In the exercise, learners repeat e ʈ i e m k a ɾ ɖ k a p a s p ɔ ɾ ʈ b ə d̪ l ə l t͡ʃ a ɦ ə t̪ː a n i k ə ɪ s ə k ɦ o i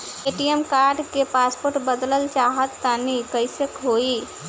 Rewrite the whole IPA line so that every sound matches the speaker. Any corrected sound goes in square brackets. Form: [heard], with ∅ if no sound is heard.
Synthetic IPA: e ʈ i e m k a ɾ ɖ k [e] p a s p [o] ɾ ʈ b ə d̪ l ə l t͡ʃ a ɦ ə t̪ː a n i k ə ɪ s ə k ɦ o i